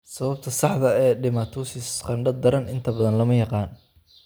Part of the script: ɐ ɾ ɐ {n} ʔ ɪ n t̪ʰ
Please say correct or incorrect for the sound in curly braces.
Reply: correct